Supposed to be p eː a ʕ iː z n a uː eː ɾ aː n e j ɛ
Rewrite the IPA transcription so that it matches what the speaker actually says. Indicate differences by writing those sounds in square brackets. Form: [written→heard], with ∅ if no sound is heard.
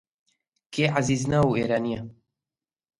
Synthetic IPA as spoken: [p→k] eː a [ʕ→z] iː z n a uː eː ɾ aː n [e→i] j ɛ